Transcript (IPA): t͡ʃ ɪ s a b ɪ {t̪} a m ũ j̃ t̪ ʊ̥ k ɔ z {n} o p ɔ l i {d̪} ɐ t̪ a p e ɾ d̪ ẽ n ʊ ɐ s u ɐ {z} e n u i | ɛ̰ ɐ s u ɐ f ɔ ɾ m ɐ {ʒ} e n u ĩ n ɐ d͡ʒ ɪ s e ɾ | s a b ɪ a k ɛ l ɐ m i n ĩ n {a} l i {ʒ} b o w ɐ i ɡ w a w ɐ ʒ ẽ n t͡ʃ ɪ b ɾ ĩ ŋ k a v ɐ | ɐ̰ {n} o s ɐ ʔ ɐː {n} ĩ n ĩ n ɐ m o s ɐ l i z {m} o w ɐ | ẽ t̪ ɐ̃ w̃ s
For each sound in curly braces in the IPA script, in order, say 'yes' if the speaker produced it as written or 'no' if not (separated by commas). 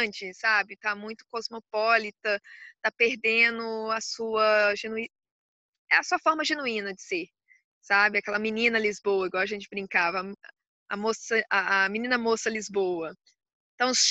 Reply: yes, no, no, no, yes, no, no, no, no, no